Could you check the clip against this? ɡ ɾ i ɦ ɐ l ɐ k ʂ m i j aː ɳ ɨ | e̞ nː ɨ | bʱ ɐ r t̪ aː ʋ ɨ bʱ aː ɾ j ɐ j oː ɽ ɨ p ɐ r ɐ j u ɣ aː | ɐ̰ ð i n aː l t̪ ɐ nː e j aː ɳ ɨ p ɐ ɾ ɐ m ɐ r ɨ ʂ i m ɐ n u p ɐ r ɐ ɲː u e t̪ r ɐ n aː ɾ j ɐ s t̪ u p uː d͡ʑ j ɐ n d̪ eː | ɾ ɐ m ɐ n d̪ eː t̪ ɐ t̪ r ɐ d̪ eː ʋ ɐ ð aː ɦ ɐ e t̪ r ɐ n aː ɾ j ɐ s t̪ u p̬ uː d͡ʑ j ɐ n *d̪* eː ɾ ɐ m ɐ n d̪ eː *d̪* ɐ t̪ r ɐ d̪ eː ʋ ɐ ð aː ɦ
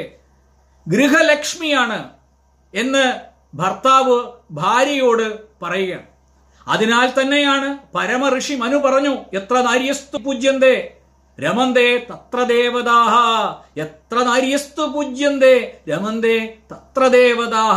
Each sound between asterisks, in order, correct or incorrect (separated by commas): correct, incorrect